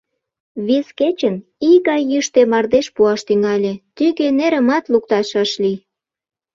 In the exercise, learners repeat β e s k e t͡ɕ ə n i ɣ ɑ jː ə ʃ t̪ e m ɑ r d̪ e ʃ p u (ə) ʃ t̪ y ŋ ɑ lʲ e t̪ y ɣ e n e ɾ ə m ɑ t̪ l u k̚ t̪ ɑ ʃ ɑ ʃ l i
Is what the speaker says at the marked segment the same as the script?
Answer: no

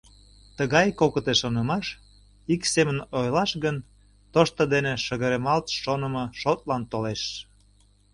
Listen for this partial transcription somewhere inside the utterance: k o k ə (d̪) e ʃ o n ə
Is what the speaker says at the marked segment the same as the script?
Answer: no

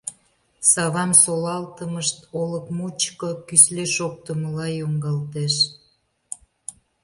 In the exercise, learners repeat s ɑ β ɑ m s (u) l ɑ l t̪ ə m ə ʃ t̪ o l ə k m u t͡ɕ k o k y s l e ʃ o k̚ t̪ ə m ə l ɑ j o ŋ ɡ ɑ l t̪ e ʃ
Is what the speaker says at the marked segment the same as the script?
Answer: no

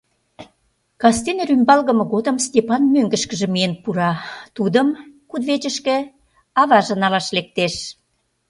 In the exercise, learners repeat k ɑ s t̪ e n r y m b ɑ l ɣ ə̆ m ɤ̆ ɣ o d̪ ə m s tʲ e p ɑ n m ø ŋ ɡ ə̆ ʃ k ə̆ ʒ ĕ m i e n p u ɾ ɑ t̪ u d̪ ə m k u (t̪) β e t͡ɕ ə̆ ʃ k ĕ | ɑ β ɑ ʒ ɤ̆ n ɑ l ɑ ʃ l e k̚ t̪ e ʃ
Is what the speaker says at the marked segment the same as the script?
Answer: no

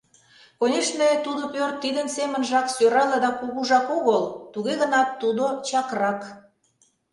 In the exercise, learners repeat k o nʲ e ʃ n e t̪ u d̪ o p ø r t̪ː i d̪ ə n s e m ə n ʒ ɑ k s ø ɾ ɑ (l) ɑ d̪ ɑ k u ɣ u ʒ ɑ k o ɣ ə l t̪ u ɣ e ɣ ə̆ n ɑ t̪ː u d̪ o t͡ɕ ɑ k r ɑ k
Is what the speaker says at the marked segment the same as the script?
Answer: yes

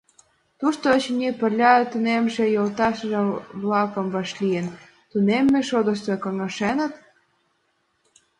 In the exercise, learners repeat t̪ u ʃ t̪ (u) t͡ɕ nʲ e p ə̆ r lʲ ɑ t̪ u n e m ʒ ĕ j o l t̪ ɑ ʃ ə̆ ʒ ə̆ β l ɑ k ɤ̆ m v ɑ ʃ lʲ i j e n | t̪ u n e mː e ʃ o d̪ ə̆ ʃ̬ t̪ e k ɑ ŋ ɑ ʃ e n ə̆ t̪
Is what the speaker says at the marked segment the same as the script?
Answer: no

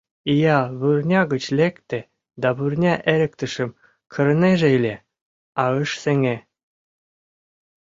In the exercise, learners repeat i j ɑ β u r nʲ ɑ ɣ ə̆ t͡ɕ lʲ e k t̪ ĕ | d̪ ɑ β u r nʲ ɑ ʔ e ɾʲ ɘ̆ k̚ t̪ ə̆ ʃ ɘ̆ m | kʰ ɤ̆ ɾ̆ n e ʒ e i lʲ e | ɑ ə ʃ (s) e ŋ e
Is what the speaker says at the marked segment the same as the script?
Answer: yes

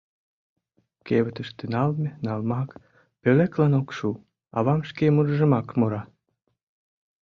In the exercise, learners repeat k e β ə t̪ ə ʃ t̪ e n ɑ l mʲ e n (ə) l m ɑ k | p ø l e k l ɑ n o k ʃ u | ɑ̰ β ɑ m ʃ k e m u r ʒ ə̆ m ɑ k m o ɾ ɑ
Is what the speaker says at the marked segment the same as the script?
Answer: no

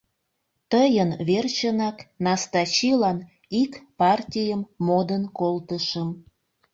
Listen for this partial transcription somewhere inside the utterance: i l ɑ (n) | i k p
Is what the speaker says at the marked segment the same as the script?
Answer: yes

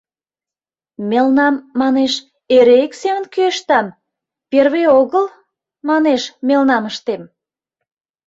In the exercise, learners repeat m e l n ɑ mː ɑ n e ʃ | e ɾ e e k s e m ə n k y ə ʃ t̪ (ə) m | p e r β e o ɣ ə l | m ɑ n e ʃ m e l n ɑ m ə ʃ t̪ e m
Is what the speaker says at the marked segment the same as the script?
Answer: no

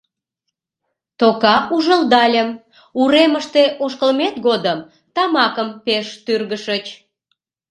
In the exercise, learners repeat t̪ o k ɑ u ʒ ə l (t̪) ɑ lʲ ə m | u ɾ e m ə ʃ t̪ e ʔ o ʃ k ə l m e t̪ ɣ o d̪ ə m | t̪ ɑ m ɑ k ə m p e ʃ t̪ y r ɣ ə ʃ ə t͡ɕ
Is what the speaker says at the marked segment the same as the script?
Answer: no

